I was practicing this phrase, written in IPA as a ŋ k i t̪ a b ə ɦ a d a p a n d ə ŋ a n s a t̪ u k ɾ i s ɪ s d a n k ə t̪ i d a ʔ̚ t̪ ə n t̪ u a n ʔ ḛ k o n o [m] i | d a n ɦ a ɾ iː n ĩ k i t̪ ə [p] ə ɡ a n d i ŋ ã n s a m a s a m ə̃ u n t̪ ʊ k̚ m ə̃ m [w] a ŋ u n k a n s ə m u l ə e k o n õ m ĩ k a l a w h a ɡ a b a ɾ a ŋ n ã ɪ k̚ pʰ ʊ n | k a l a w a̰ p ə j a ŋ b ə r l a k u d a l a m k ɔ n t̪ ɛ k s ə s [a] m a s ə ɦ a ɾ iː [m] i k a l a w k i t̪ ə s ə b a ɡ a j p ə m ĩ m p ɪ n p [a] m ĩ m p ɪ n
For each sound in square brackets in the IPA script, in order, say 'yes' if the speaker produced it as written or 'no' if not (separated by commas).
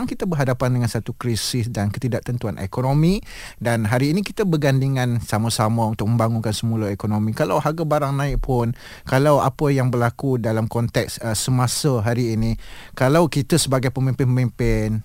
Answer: yes, no, no, no, no, no